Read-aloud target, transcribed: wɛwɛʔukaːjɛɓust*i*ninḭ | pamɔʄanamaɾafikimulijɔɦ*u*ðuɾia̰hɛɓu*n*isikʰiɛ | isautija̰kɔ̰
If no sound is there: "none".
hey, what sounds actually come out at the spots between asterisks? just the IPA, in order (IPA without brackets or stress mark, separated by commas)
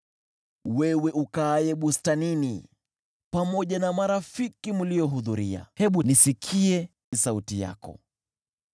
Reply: a, u, n